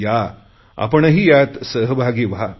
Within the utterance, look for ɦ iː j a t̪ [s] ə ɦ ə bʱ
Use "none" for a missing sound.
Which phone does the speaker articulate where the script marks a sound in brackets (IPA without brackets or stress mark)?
s